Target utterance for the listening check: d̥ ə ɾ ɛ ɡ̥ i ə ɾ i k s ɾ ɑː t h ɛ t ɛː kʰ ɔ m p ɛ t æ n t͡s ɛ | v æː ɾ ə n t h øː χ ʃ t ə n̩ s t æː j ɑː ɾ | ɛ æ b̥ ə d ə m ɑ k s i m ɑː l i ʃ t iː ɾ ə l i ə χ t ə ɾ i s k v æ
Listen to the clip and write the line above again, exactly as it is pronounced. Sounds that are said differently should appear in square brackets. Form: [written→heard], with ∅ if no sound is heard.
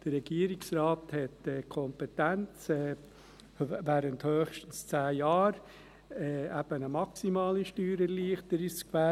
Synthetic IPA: d̥ ə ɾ ɛ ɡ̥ i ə ɾ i k s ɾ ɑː t h ɛ t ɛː kʰ ɔ m p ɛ t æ n t͡s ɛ | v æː ɾ ə n t h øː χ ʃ t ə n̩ s [t→t͡s] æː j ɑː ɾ | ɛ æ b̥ ə [d→n] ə m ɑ k s i m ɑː l i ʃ t [iː→yː] ɾ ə l i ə χ t ə ɾ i s k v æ